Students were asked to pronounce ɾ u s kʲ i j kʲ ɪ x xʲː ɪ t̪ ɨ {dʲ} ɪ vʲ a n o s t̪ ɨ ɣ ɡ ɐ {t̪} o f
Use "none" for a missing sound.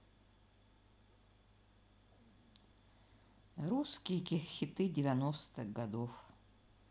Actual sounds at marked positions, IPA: dʲ, d̪

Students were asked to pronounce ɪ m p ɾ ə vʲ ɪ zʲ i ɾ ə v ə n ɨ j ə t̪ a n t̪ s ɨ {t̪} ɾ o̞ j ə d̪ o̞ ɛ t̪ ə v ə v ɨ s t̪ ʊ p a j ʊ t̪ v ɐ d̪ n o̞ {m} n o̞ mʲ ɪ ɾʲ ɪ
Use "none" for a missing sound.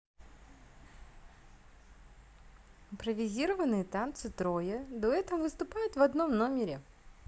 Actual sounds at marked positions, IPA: t̪, m

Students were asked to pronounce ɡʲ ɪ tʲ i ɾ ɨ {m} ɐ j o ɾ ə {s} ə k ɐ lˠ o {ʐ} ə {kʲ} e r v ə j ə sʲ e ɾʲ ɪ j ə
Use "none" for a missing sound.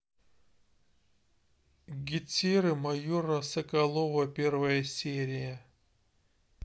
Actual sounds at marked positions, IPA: m, s, v, pʲ

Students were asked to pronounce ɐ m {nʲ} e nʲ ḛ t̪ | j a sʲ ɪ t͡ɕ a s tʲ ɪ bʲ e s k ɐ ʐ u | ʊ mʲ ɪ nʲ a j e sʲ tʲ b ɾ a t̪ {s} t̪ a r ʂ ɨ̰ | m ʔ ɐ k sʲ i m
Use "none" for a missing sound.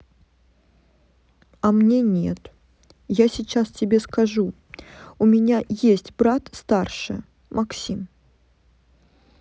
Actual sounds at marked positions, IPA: nʲ, s

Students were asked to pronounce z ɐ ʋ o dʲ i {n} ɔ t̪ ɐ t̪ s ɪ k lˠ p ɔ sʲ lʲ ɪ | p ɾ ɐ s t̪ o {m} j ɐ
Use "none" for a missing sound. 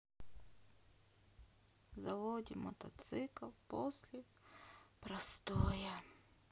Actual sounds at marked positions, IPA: m, none

